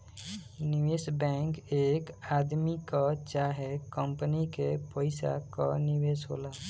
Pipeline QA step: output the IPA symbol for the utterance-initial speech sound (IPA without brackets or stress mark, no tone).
n